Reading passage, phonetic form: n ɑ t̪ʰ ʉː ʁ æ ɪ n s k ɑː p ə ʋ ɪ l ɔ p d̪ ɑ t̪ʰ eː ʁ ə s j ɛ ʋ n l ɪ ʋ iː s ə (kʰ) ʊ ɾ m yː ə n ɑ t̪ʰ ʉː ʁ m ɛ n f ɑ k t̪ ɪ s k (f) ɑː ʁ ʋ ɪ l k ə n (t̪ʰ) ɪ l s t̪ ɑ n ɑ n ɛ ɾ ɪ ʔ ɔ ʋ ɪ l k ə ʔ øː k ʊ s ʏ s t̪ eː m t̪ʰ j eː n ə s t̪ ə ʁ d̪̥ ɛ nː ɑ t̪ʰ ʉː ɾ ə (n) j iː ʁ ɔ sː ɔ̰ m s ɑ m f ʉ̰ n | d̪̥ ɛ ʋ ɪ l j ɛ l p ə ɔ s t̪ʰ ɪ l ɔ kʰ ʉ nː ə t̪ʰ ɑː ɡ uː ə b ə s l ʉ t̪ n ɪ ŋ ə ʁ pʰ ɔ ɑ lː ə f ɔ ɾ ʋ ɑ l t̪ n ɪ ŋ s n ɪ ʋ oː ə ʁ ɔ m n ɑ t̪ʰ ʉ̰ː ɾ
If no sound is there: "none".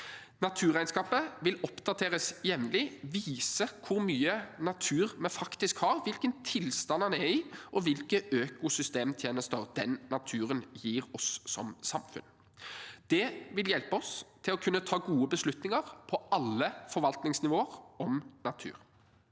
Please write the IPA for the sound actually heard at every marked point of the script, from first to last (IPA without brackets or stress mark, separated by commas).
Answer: kʰ, h, t̪ʰ, n